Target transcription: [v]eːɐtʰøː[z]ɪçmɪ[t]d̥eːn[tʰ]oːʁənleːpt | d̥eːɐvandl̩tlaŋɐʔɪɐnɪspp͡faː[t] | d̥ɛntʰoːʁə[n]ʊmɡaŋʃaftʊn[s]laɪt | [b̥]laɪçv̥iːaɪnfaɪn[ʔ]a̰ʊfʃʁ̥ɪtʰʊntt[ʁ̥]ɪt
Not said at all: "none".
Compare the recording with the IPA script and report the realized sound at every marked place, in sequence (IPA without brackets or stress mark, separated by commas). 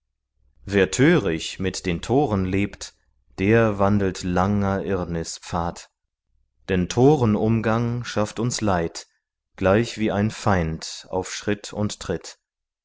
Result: v, ʁ, t, tʰ, t, n, s, ɡ̥, t, ʁ̥